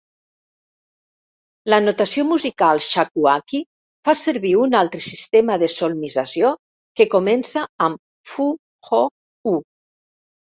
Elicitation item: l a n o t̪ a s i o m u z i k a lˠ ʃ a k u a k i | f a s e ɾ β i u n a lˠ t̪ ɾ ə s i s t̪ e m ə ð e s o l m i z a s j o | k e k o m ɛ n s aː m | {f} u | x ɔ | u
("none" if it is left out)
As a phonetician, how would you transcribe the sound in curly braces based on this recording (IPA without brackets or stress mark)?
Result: f